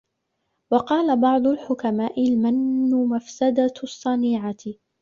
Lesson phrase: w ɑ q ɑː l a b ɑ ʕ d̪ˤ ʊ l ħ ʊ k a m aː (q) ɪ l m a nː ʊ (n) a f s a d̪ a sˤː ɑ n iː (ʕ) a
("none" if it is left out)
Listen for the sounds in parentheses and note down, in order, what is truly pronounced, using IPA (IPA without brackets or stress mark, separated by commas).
ʔ, m, ʕ